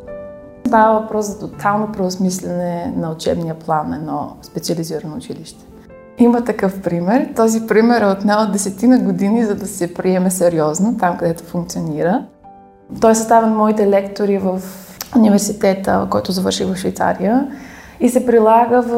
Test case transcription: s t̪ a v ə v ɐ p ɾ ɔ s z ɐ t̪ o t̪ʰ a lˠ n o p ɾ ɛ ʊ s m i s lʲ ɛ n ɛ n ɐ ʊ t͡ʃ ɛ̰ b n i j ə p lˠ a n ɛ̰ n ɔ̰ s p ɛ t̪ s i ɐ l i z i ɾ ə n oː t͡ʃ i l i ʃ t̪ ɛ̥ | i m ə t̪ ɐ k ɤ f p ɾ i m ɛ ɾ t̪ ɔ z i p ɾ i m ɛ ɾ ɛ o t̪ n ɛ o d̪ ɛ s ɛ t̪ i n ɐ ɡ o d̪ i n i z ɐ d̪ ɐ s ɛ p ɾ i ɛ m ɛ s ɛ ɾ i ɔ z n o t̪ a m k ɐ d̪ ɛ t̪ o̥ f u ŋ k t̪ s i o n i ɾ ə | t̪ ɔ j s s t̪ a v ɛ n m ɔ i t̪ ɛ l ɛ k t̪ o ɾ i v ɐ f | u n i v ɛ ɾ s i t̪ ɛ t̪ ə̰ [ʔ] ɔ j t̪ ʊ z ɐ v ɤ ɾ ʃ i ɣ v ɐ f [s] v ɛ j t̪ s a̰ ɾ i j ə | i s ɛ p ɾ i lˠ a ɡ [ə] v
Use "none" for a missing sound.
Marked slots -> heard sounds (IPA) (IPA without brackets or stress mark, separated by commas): k, ʃ, ə